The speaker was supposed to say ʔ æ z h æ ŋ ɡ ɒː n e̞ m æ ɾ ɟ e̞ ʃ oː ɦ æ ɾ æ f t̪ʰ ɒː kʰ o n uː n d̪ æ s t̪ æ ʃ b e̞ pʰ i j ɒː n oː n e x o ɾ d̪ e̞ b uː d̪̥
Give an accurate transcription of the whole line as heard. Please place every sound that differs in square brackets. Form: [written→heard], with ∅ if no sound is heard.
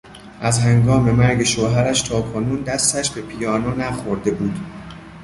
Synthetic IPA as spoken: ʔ æ z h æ ŋ ɡ ɒː [n→m] e̞ m æ ɾ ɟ e̞ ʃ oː ɦ æ ɾ æ [f→ʃ] t̪ʰ ɒː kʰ o n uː n d̪ æ s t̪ æ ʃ b e̞ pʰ i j ɒː n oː n [e→æ] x o ɾ d̪ e̞ b uː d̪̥